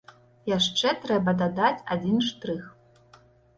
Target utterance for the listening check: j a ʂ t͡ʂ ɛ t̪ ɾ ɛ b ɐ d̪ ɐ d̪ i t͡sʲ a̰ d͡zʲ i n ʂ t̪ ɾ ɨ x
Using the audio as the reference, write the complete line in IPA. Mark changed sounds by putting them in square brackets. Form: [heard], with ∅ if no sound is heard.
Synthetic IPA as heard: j a ʂ t͡ʂ ɛ t̪ ɾ ɛ b ɐ d̪ [a] d̪ [a] t͡sʲ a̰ d͡zʲ i n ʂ t̪ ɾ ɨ x